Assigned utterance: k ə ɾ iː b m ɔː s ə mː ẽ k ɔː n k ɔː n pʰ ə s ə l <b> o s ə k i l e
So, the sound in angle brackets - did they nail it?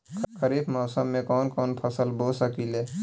yes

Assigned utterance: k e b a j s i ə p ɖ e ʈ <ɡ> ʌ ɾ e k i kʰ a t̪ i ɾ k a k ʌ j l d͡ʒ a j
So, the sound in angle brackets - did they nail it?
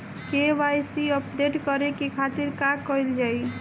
no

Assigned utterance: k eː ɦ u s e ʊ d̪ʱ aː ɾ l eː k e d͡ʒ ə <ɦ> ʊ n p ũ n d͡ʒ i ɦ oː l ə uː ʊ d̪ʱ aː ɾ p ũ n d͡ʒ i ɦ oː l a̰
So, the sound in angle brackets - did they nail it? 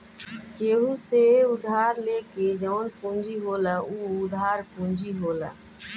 no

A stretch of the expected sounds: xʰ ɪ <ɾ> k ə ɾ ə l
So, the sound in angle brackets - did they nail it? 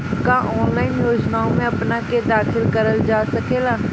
no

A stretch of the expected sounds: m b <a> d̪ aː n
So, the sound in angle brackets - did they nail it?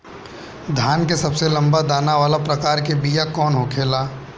yes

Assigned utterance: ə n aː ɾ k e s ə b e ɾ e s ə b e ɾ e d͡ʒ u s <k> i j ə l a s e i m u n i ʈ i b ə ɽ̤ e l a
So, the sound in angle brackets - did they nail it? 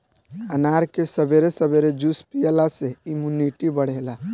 no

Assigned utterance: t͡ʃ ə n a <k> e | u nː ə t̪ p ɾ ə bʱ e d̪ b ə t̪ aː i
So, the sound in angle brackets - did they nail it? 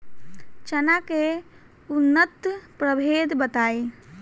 yes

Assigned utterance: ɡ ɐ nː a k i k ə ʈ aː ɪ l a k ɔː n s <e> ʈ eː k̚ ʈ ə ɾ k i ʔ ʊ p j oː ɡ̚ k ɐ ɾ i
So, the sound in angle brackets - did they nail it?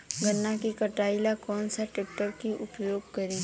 no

